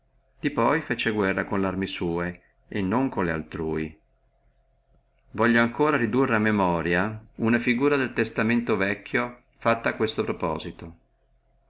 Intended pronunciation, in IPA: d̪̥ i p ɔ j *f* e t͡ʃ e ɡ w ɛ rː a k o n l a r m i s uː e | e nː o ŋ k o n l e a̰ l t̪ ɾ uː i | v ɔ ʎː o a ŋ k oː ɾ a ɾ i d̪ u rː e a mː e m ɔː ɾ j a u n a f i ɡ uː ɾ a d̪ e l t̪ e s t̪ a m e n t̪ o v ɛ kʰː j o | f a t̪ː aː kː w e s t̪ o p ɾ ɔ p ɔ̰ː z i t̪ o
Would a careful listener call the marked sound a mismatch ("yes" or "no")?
no